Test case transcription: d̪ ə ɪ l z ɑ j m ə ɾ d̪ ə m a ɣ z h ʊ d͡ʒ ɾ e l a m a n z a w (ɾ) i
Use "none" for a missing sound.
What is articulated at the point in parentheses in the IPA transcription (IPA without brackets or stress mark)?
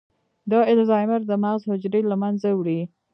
ɽ